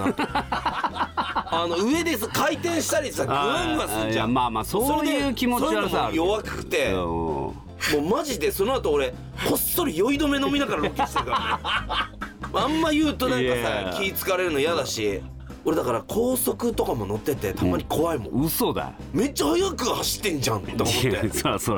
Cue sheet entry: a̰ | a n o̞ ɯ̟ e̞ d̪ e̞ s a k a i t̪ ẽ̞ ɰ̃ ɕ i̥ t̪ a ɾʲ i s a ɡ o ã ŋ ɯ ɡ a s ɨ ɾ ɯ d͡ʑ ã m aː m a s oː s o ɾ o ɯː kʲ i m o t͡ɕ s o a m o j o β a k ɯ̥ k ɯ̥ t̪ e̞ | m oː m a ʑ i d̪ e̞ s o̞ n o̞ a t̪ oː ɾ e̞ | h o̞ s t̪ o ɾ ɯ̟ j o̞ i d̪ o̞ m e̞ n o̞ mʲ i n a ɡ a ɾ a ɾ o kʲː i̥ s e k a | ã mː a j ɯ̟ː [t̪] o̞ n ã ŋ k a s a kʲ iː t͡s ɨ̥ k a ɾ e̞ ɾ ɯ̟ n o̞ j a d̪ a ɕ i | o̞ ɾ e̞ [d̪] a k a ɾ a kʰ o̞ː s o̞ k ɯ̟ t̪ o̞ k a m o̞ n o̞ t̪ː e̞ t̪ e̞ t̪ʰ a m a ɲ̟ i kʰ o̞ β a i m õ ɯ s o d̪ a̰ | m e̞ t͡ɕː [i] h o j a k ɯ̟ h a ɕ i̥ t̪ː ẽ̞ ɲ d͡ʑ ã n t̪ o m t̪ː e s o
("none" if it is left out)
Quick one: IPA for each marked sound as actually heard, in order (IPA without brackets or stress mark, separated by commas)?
t̪, d̪, a